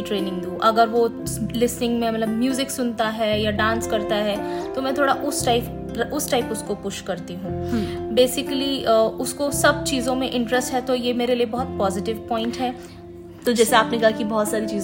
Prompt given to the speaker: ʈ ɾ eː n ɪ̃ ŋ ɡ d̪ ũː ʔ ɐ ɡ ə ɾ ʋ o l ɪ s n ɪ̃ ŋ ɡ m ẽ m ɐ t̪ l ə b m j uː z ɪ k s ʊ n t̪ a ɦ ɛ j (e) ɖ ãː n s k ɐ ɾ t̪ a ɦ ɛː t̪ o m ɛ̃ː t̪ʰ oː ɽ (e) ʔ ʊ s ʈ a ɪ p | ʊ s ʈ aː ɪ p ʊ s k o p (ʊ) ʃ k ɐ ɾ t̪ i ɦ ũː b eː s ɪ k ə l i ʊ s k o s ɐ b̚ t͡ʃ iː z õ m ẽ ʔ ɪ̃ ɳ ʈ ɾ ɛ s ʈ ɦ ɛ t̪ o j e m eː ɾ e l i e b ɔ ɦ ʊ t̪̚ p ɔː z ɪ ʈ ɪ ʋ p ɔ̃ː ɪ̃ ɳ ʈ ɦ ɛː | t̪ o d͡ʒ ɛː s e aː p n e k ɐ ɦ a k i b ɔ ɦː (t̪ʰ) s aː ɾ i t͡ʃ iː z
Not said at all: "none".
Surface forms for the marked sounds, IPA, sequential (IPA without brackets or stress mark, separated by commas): a, a, ʊ, t̪